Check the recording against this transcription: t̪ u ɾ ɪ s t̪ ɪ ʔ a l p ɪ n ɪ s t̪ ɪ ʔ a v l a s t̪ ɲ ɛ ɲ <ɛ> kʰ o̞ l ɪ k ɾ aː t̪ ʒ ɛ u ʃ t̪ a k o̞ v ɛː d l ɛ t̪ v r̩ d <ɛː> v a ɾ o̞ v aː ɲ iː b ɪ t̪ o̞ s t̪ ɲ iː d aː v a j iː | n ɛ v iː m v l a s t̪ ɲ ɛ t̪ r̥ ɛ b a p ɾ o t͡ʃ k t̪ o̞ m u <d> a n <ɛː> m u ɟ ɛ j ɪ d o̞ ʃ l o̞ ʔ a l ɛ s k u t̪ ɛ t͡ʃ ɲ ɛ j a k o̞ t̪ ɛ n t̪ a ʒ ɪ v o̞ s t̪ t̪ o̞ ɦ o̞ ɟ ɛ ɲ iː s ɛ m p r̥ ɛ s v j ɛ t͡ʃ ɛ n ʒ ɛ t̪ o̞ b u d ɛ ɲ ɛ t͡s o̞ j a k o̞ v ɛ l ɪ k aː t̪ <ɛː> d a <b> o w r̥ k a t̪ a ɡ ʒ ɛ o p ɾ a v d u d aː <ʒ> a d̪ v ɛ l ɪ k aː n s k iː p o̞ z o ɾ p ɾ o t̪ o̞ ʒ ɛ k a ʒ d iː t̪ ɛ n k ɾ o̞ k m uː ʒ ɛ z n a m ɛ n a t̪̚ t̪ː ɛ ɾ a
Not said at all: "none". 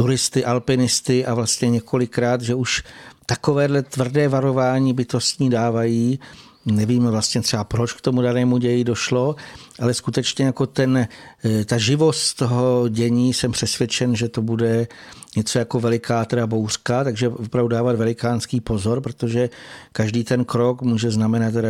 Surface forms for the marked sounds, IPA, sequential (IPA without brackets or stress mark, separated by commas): ɛ, ɛː, d, ɛː, ɛ, b, v